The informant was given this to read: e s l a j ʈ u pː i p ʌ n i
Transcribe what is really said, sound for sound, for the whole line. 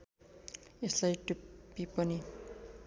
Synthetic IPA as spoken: e s l a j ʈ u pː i p ʌ n i